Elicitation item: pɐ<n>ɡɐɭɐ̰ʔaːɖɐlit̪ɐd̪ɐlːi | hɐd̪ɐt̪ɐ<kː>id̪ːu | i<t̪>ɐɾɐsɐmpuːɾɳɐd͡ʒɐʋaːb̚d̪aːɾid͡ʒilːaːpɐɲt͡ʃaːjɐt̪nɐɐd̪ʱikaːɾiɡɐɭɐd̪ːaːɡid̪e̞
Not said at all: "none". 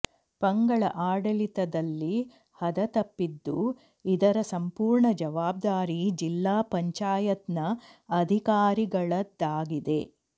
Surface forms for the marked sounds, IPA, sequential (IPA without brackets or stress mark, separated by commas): ŋ, pː, d̪